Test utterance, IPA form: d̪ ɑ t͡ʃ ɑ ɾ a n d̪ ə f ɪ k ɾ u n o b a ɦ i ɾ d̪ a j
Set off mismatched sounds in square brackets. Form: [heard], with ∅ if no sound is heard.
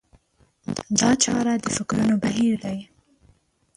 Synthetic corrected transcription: d̪ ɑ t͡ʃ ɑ ɾ a [∅] d̪ ə f ɪ k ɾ u n o b a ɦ i ɾ d̪ a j